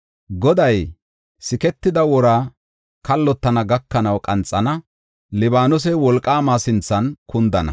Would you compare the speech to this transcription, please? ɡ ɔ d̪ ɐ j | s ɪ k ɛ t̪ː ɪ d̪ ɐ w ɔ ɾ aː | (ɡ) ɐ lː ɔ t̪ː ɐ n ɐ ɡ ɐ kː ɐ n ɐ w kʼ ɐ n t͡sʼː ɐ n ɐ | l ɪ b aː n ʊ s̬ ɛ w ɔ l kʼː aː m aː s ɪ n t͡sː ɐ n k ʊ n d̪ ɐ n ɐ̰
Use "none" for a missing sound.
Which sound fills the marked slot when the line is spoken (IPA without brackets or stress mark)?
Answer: k